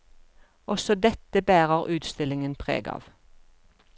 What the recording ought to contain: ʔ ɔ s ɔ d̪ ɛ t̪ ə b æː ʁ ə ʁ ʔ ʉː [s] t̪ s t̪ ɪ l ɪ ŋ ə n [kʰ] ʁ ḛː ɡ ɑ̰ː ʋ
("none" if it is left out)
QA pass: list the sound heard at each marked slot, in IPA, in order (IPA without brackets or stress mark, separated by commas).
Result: none, pʰ